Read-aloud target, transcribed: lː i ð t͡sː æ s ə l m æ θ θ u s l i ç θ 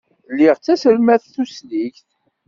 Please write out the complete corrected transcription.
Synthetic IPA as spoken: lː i ʁ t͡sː æ s ə l m æ θ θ u s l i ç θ